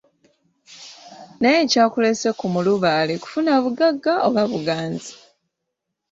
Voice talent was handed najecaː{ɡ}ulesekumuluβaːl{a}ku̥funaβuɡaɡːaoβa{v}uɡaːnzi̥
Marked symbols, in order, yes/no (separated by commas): no, no, no